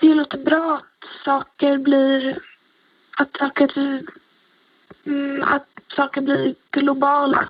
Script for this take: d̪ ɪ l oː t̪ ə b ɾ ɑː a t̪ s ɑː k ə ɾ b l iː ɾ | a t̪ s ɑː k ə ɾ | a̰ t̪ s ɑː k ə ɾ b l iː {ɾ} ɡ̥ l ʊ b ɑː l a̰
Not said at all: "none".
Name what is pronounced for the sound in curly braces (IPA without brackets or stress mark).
ɾ